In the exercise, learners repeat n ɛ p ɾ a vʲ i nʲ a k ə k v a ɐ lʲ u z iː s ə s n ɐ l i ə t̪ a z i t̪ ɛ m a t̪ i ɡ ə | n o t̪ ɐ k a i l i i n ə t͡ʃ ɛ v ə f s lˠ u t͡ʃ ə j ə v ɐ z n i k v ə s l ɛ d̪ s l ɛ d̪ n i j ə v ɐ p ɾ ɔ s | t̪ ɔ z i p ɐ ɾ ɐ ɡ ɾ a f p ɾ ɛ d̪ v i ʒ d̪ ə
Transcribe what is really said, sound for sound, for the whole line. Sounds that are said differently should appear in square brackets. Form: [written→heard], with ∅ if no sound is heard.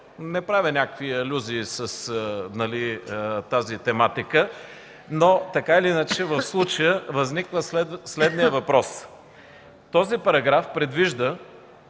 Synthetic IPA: n ɛ p ɾ a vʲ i nʲ a k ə k v [a→i] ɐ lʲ u z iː s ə s n ɐ l i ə t̪ a z i t̪ ɛ m a t̪ i [ɡ→k] ə | n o t̪ ɐ k a i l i i n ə t͡ʃ ɛ v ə f s lˠ u t͡ʃ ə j ə v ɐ z n i k v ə s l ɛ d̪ s l ɛ d̪ n i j ə v ɐ p ɾ ɔ s | t̪ ɔ z i p ɐ ɾ ɐ ɡ ɾ a f p ɾ ɛ d̪ v i ʒ d̪ ə

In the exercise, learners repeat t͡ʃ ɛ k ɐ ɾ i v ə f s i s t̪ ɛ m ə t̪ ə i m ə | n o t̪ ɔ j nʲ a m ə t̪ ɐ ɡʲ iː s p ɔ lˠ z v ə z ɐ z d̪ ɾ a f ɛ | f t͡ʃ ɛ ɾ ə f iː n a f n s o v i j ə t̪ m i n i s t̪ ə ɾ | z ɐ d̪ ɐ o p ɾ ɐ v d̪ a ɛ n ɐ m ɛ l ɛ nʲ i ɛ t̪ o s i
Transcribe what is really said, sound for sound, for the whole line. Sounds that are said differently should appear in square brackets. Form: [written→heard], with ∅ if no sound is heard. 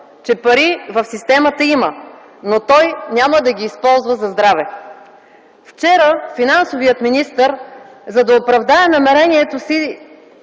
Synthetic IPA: t͡ʃ ɛ [k→p] ɐ ɾ i v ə f s i s t̪ ɛ m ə t̪ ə i m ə | n o t̪ ɔ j nʲ a m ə [t̪→d̪] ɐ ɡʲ iː s p ɔ lˠ z v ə z ɐ z d̪ ɾ a [f→v] ɛ | f t͡ʃ ɛ ɾ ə f [iː→i] n a [f→∅] n s o v i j ə t̪ m i n i s t̪ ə ɾ | z ɐ d̪ ɐ o p ɾ ɐ v d̪ a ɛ n ɐ m ɛ [l→ɾ] ɛ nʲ i ɛ t̪ o s i

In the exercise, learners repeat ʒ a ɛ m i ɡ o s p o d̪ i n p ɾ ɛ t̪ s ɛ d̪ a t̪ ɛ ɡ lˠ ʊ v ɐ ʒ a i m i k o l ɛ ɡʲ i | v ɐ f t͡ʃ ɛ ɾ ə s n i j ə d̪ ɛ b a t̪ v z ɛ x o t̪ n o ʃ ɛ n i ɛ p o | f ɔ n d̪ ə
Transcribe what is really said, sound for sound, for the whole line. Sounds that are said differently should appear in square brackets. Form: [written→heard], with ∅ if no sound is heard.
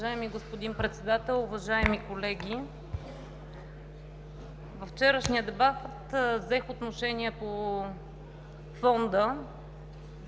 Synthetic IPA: ʒ a ɛ m i ɡ o s p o d̪ i n p ɾ ɛ t̪ s ɛ d̪ a t̪ ɛ [ɡ→∅] lˠ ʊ v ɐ ʒ a [i→ɛ] m i k o l ɛ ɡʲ i | v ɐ f t͡ʃ ɛ ɾ ə [s→ʃ] n i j ə d̪ ɛ b a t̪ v z ɛ x o t̪ n o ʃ ɛ n i ɛ p o | f ɔ n d̪ ə

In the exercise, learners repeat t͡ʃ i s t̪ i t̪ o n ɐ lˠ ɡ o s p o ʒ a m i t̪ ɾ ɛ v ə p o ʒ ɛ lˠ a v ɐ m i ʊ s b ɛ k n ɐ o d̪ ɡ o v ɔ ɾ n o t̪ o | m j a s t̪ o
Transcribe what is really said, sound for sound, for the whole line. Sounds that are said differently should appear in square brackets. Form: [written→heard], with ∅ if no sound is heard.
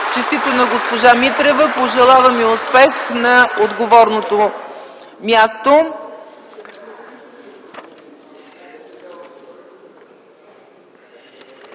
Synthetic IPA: t͡ʃ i s t̪ i t̪ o n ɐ [lˠ→∅] ɡ o s p o ʒ a m i t̪ ɾ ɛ v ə p o ʒ ɛ lˠ a v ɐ m i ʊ s [b→p] ɛ [k→x] n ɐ o d̪ ɡ o v ɔ ɾ n o t̪ o | m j a s t̪ o

